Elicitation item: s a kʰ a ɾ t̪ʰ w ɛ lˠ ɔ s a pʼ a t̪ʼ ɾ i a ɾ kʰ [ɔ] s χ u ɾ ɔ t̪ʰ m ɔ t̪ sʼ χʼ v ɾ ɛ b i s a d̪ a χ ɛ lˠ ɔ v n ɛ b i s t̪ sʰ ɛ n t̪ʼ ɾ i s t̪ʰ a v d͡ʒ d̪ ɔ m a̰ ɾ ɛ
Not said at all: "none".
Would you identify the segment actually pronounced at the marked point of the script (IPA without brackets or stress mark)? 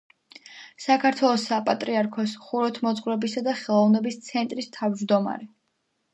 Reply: ɔ